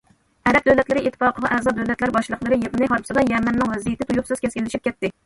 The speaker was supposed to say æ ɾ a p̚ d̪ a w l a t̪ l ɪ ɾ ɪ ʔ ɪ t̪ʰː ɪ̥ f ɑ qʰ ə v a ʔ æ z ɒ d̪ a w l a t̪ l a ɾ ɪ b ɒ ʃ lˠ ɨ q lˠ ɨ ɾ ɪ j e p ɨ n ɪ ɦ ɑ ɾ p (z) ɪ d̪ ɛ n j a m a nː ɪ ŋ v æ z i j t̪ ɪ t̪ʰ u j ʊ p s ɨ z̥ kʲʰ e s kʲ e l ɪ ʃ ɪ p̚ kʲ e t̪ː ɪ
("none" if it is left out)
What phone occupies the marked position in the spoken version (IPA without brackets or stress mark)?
s